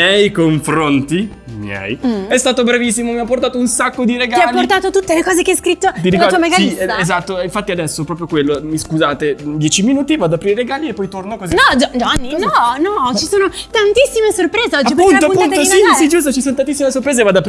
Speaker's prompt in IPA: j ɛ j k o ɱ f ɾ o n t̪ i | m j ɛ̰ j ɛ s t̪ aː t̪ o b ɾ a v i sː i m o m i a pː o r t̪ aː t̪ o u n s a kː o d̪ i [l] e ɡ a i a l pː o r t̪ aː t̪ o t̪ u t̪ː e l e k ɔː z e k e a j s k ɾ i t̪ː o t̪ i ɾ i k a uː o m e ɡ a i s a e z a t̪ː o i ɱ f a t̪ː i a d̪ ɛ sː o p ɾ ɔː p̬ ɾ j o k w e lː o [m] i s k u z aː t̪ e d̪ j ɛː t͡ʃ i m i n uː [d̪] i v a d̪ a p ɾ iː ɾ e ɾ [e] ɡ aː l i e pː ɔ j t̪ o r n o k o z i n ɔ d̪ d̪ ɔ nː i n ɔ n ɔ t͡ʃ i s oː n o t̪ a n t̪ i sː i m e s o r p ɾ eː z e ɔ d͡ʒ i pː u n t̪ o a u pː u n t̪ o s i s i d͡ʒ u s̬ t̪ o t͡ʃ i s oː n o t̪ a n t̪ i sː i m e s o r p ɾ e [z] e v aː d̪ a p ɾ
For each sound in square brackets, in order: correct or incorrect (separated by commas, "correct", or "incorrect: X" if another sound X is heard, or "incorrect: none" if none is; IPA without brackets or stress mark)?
incorrect: ɾ, correct, incorrect: t̪, correct, correct